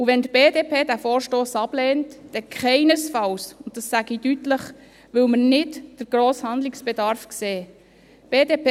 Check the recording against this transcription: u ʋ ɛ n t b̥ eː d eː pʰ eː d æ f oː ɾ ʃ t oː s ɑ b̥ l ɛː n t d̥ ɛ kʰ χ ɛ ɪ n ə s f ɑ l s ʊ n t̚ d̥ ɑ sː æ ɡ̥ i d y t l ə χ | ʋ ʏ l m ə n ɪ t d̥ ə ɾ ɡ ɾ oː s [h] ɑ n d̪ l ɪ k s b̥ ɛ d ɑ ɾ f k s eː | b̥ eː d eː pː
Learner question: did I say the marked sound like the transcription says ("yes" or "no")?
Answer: yes